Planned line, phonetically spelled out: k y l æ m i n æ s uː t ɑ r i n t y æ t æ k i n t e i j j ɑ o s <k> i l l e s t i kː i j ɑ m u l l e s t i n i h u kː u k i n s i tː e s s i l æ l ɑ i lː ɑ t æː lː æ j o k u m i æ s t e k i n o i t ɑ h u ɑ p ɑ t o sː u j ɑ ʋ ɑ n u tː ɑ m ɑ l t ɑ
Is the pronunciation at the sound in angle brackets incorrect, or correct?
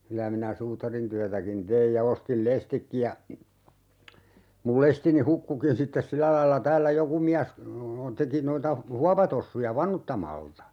incorrect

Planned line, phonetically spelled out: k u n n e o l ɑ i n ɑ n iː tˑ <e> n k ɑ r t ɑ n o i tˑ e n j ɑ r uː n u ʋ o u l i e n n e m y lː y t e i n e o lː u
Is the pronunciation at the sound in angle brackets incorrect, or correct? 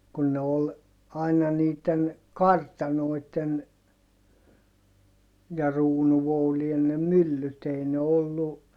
correct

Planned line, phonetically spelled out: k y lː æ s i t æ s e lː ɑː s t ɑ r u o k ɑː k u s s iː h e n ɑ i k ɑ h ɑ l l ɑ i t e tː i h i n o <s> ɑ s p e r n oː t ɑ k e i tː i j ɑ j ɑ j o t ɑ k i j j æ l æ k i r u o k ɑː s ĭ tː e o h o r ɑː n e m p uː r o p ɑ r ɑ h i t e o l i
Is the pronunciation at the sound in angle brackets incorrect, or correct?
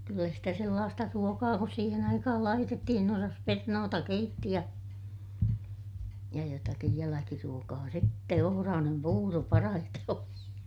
correct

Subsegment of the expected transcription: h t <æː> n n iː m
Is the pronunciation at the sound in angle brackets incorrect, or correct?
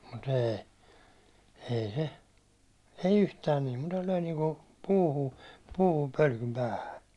correct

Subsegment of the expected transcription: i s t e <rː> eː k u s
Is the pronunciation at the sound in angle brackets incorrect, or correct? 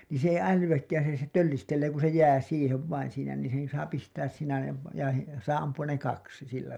incorrect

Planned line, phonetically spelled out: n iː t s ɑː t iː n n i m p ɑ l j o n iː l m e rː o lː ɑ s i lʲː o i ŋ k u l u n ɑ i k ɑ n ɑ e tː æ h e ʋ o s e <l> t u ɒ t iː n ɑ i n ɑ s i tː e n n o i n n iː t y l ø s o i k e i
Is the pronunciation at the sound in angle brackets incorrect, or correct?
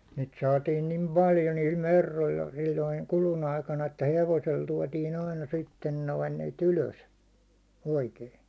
correct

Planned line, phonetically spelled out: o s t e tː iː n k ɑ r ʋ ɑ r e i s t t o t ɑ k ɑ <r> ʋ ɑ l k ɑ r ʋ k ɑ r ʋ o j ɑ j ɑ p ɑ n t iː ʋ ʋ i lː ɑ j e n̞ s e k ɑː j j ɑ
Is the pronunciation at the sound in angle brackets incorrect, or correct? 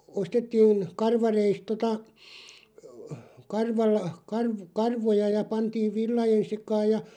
correct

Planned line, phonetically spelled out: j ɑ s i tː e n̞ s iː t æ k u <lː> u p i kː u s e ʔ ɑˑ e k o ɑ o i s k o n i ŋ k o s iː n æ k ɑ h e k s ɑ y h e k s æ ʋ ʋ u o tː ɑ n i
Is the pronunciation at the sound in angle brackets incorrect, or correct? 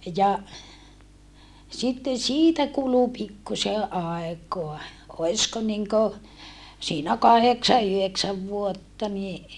incorrect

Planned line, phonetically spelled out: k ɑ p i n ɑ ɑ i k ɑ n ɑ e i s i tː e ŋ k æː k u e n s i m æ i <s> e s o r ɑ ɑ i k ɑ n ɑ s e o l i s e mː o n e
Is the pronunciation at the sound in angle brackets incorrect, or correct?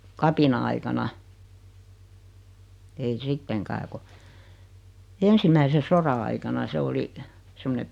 correct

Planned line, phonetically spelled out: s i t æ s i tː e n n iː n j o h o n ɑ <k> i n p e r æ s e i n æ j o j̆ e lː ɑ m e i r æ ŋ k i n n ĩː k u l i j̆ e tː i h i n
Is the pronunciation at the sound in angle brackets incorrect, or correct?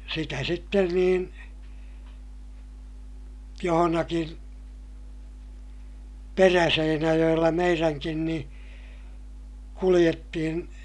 correct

